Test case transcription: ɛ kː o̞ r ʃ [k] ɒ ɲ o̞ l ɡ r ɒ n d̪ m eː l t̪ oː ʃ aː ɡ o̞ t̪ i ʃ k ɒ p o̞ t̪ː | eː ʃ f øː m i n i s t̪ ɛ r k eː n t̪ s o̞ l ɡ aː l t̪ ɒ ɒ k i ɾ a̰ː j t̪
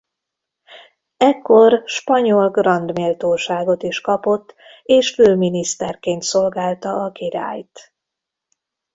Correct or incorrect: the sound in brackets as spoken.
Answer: incorrect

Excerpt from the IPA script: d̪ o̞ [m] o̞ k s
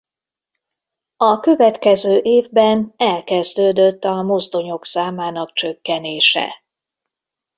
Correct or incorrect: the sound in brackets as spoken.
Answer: incorrect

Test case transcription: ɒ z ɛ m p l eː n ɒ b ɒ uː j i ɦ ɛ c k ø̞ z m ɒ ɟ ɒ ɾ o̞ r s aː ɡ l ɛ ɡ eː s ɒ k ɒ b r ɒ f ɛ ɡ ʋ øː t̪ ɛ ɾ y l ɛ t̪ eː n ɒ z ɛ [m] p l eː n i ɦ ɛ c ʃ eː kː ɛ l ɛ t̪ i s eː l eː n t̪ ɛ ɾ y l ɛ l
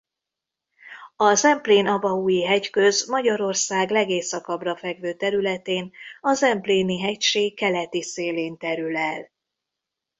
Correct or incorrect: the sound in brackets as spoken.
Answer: correct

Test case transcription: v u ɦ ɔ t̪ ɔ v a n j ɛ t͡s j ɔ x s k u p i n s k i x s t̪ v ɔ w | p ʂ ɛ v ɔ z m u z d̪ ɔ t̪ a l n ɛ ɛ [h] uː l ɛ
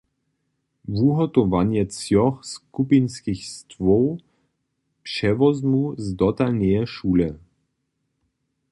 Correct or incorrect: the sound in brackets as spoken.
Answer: incorrect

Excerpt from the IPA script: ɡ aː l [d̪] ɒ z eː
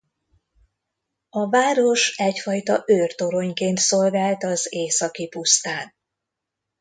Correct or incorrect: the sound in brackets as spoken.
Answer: incorrect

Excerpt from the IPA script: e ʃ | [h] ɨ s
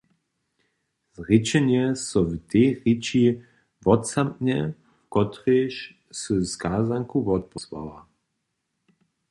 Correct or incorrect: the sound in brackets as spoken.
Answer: incorrect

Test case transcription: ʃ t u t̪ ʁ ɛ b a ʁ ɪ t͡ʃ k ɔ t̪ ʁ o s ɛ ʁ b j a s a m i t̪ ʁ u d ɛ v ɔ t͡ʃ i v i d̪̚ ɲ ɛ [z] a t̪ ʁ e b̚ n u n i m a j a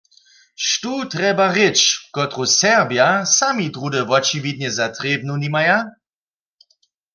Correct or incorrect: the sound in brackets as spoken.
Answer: correct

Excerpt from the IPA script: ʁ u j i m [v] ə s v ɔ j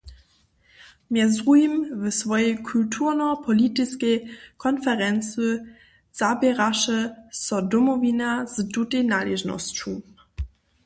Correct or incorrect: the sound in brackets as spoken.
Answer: correct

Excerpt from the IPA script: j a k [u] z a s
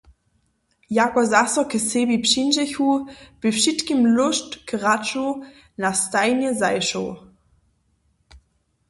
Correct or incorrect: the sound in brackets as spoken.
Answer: incorrect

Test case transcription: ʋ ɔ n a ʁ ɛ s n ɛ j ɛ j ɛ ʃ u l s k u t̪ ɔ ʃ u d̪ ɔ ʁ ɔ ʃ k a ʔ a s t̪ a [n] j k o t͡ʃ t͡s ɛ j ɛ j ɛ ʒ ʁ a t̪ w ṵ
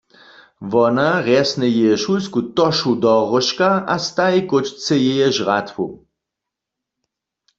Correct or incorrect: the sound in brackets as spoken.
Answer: incorrect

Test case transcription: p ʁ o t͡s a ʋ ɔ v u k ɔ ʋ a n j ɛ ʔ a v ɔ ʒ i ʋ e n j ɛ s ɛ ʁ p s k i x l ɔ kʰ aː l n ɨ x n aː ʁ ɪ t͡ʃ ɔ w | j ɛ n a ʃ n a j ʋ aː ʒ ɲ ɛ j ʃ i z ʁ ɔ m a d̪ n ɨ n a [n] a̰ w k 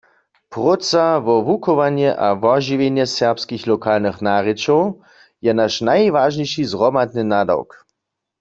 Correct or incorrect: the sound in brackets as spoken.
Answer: incorrect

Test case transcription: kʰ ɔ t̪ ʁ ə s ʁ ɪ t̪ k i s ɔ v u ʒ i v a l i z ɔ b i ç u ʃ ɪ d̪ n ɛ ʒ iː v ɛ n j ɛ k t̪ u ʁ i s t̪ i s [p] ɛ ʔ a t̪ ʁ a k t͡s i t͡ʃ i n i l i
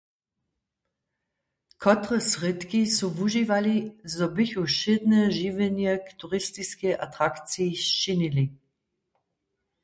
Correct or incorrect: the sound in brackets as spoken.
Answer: incorrect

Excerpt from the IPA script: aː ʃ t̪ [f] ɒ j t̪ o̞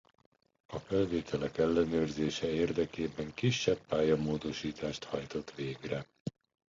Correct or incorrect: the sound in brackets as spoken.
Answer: incorrect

